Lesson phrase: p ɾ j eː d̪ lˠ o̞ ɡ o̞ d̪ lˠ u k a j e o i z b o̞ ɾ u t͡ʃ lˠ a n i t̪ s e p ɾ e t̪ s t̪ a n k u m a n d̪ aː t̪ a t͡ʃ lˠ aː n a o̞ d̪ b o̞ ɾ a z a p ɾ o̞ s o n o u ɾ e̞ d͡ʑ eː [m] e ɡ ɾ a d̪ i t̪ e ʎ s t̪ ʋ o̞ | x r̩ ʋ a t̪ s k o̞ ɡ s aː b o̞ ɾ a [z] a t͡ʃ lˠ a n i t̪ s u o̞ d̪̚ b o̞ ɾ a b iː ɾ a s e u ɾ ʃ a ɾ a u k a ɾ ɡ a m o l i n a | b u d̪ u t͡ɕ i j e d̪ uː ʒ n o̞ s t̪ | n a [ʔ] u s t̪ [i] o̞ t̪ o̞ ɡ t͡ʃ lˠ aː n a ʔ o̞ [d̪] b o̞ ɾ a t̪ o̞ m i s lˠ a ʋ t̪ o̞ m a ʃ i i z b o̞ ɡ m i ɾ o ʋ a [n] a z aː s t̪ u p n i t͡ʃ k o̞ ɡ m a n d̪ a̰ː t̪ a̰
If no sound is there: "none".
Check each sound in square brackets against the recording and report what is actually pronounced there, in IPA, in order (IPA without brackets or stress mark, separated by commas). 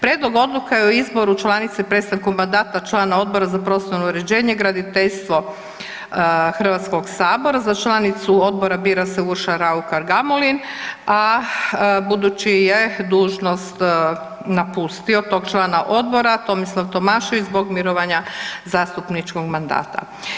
ɲ, z, p, i, d̪, ɲ